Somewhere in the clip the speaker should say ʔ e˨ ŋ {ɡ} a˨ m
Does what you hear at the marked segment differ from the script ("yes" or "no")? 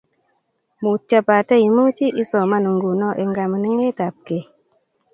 no